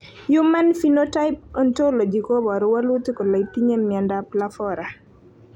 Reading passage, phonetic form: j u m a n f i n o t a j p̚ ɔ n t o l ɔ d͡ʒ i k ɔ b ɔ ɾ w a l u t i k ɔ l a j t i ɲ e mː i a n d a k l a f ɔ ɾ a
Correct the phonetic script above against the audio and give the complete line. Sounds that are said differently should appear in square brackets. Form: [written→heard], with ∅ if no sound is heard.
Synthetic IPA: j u m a n f i n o t a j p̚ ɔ n t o l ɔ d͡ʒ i k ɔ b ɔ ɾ w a l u t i k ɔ l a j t i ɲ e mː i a n d a [k→p] l a f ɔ ɾ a